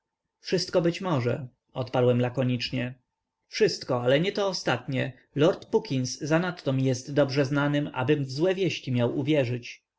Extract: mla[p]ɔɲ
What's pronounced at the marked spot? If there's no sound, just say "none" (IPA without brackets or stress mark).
k